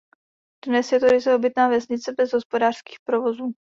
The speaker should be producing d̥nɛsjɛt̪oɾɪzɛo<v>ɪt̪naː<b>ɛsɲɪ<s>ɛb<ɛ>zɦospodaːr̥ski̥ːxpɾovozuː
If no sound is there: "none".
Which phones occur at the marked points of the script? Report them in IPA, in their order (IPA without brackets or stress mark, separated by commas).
b, v, t͡s, ɛ